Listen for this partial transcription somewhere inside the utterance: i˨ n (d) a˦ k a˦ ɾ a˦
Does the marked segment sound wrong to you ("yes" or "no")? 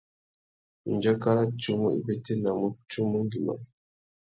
yes